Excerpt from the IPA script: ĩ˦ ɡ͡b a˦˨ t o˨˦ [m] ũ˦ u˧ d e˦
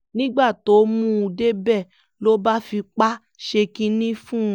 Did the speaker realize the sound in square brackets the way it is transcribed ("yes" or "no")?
yes